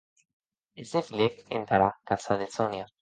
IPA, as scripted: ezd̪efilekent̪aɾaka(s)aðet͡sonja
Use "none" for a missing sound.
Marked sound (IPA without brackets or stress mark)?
s